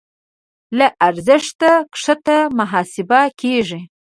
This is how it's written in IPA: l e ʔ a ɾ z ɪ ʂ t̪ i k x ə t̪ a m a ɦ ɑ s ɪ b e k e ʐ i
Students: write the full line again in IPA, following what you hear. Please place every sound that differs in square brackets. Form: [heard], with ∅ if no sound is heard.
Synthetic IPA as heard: l [a] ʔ a ɾ z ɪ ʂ t̪ [a] k [ʂ] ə t̪ a m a ɦ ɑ s ɪ b [a] k e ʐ i